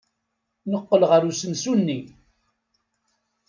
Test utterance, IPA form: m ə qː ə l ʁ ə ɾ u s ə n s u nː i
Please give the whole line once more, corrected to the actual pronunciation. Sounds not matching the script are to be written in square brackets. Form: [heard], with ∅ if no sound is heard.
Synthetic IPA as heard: [n] ə qː ə l ʁ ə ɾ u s ə n s u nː i